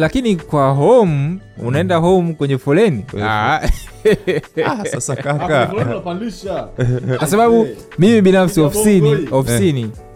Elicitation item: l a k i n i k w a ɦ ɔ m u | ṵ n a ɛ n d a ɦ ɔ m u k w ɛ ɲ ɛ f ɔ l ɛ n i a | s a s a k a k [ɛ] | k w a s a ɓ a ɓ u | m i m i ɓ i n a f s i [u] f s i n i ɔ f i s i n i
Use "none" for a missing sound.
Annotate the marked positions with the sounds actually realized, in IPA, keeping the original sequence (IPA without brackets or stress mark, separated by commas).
a, ɔ